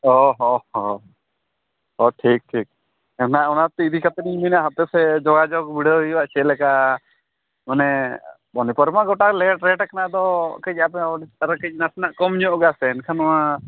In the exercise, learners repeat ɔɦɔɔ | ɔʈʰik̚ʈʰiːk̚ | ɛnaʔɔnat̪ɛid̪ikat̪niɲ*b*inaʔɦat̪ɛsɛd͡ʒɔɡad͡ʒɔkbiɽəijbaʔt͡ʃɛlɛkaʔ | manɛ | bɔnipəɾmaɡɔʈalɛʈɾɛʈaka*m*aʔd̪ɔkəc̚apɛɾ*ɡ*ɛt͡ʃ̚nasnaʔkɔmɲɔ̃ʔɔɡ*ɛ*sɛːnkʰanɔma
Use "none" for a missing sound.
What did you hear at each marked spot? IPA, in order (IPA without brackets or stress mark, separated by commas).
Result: m, n, k, a